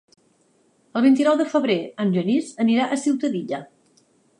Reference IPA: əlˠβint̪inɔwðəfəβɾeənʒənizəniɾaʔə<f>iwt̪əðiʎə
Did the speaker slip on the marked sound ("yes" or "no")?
yes